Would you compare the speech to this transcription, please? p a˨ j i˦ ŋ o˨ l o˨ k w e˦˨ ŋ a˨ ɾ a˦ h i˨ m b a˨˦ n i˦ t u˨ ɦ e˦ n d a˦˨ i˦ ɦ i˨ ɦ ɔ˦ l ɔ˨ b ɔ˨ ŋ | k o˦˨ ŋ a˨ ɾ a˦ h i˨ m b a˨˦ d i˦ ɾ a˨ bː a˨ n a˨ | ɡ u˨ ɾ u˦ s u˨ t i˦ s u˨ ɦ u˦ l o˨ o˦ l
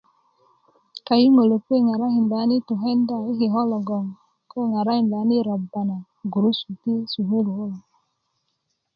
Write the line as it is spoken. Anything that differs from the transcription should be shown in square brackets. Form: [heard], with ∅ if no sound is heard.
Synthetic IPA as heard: [k] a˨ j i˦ ŋ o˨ l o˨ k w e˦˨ ŋ a˨ ɾ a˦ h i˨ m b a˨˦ n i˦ t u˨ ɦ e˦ n d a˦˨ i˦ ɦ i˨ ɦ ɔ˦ l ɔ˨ [ɡ] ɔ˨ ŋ | k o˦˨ ŋ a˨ ɾ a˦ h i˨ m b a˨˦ [n] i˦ ɾ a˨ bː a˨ n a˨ | ɡ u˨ ɾ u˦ s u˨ t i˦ s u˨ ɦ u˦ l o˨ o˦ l